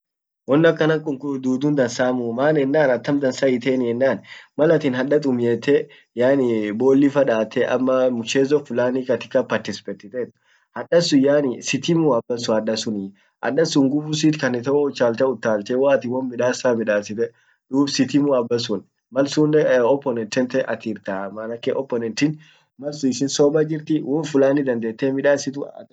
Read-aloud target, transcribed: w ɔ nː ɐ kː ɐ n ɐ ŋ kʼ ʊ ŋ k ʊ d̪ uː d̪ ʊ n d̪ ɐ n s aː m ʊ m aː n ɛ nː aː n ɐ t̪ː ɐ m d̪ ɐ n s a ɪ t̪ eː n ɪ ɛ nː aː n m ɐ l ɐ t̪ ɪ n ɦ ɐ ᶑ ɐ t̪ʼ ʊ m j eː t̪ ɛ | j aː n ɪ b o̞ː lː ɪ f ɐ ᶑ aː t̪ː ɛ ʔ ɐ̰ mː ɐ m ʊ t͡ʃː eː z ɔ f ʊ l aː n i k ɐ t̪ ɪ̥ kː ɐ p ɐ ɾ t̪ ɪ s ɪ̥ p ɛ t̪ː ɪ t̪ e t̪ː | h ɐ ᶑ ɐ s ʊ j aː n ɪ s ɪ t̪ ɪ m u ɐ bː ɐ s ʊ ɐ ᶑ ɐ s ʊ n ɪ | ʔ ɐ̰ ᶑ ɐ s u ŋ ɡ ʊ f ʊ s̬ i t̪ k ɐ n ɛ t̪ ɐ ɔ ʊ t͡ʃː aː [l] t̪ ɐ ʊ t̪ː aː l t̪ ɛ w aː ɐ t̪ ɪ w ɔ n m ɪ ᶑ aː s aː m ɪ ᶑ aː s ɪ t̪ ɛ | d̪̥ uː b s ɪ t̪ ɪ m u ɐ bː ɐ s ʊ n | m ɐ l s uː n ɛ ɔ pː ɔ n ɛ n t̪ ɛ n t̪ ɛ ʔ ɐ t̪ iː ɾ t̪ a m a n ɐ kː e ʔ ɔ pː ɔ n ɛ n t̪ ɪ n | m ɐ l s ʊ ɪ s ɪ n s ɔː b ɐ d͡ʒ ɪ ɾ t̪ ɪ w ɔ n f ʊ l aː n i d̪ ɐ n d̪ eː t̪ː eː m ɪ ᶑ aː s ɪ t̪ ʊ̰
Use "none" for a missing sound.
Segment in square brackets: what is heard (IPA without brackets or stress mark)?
l